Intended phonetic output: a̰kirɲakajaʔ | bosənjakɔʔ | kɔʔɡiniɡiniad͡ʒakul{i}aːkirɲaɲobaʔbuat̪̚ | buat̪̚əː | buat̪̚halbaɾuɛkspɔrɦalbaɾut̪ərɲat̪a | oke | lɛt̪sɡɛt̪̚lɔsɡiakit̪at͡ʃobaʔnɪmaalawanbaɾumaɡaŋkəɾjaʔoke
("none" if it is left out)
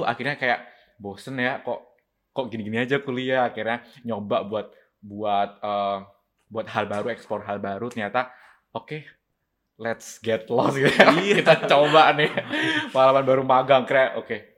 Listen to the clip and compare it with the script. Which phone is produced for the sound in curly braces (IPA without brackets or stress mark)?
i